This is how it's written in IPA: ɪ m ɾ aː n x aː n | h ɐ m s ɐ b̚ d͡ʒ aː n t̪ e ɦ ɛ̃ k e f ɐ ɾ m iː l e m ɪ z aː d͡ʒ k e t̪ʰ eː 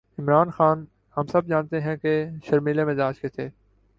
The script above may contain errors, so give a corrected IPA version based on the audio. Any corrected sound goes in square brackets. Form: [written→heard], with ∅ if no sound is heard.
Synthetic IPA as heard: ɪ m ɾ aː n x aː n | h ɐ m s ɐ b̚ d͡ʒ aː n t̪ e ɦ ɛ̃ k e [f→ʃ] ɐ ɾ m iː l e m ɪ z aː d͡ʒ k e t̪ʰ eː